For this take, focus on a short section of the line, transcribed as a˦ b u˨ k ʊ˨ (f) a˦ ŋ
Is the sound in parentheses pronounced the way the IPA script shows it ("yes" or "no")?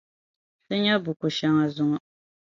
no